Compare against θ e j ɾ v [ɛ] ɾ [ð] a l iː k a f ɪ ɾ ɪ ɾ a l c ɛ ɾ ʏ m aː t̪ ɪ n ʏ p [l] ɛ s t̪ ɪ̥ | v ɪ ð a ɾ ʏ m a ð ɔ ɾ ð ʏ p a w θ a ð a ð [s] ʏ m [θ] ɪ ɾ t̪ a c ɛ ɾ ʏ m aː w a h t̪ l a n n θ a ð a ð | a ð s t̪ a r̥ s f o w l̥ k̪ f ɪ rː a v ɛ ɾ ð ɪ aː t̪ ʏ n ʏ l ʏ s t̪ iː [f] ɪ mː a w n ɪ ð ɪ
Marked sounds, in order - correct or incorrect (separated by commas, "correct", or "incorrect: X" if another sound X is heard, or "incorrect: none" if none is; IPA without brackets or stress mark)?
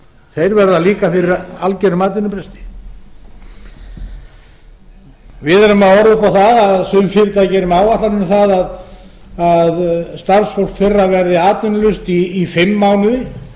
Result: correct, correct, incorrect: ɾ, correct, incorrect: f, correct